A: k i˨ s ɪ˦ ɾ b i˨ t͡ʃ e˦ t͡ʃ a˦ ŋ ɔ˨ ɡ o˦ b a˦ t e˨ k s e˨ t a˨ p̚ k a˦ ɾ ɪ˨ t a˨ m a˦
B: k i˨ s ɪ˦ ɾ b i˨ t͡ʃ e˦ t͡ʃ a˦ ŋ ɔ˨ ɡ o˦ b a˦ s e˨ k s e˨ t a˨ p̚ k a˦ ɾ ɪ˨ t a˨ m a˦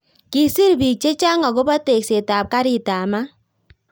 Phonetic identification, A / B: A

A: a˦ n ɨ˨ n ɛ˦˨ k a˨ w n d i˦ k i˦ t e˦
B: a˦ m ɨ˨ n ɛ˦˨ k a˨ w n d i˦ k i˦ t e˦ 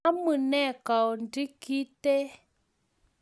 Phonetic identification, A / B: B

